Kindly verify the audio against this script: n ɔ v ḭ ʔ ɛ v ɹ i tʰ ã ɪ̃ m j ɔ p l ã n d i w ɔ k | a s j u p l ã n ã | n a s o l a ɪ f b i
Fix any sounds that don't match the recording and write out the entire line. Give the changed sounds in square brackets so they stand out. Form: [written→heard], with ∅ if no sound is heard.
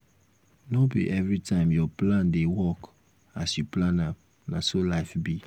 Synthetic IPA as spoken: n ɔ [v→b] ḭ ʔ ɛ v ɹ i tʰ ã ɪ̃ m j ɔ p l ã n d [i→e] w ɔ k | a s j u p l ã n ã | n a s o l a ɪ f b i